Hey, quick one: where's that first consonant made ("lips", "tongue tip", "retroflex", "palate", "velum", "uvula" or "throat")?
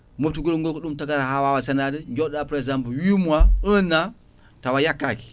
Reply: lips